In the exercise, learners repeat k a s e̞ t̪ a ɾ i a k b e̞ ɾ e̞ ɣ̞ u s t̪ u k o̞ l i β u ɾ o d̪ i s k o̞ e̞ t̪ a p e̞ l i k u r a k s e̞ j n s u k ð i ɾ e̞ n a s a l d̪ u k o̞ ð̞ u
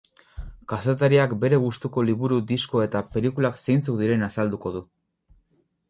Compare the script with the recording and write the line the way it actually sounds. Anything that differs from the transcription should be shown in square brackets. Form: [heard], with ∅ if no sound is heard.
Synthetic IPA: k a s e̞ t̪ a ɾ i a k b e̞ ɾ e̞ ɣ̞ u s t̪ u k o̞ l i β u ɾ [u] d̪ i s k o̞ e̞ t̪ a p e̞ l i k u [l] a k s e̞ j n [t͡s] u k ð i ɾ e̞ n a s a l d̪ u k o̞ ð̞ u